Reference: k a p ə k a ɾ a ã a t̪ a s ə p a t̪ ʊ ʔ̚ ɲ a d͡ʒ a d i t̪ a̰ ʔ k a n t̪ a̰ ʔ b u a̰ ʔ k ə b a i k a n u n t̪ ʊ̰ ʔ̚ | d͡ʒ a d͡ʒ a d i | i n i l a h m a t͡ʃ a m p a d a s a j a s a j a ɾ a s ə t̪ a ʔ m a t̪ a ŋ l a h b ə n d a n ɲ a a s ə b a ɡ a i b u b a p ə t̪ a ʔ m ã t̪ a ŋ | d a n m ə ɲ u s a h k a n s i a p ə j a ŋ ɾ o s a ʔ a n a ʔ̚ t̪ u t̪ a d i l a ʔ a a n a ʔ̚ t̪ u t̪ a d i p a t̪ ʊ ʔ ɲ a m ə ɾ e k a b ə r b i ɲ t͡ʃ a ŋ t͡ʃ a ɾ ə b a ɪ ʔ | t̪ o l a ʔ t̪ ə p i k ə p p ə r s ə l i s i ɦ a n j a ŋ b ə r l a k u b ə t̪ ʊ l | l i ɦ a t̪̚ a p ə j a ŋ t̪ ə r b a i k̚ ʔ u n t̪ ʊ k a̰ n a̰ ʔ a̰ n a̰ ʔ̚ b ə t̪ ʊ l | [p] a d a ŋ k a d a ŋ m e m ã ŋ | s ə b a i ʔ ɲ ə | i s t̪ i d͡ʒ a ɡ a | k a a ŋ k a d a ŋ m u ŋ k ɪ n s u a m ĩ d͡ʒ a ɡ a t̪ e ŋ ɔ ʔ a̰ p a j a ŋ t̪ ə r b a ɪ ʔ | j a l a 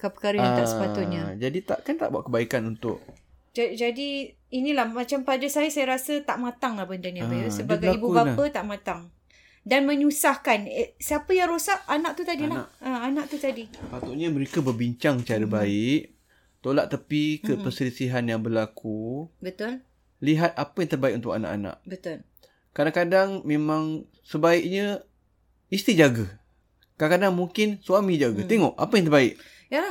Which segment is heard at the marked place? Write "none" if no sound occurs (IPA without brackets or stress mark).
k